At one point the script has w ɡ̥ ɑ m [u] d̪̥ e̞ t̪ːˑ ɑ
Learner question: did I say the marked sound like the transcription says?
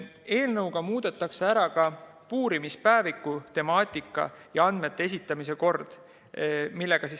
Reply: no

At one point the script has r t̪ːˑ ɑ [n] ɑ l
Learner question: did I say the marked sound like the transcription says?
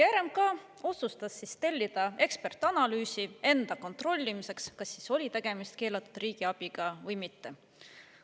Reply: yes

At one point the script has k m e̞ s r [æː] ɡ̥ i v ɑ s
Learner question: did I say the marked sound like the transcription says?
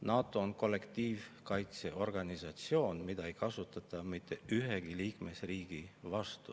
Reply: no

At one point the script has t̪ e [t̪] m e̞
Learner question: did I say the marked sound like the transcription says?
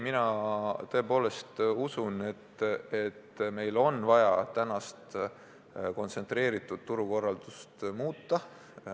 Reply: yes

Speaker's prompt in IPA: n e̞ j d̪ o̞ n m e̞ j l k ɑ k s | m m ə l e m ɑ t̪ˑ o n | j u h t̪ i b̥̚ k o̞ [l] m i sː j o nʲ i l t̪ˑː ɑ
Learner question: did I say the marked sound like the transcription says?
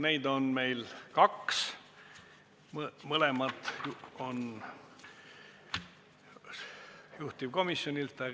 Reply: no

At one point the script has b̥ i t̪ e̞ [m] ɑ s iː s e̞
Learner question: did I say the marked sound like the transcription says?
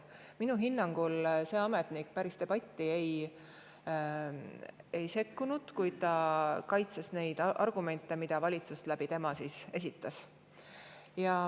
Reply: yes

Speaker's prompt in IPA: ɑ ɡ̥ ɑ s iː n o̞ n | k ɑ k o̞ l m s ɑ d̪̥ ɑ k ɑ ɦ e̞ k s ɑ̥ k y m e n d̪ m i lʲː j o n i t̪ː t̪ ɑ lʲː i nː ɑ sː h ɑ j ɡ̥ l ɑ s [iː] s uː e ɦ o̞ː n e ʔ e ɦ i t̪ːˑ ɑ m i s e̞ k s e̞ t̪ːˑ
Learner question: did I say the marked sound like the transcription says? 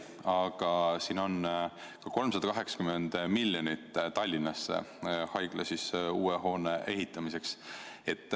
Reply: no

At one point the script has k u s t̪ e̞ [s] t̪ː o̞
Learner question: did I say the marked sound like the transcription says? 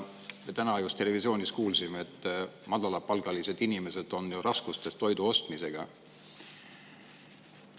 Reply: yes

